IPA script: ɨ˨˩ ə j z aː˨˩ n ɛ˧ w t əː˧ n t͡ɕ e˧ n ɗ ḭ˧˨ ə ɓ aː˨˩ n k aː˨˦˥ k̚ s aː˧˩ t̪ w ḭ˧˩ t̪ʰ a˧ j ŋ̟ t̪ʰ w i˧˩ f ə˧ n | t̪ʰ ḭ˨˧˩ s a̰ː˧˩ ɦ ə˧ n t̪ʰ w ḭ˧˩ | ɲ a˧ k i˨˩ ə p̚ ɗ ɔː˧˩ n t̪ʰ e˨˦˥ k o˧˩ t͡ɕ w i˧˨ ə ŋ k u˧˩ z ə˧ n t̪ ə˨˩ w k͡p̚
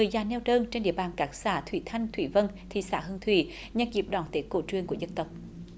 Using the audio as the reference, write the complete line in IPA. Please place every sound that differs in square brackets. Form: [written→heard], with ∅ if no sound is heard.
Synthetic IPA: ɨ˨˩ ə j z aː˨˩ n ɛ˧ w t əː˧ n t͡ɕ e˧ n ɗ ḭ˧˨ ə ɓ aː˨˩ n k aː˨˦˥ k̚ s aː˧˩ [t̪→t̪ʰ] w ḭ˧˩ t̪ʰ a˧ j ŋ̟ t̪ʰ w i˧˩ [f→v] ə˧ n | t̪ʰ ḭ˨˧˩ s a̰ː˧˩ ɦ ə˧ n t̪ʰ w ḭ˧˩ | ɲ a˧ k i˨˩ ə p̚ ɗ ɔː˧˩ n [t̪ʰ→t̪] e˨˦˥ k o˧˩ t͡ɕ w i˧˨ ə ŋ k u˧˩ z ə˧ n t̪ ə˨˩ w k͡p̚